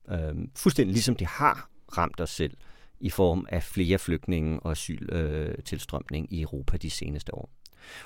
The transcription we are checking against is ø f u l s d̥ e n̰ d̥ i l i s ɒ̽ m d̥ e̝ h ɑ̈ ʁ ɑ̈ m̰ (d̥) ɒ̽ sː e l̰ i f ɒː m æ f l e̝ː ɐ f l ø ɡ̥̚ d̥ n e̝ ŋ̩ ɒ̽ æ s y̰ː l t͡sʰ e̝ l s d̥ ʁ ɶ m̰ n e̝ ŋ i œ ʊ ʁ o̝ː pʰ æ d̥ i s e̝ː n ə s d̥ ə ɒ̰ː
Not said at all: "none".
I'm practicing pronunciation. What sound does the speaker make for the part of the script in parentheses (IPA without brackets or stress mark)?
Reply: d̥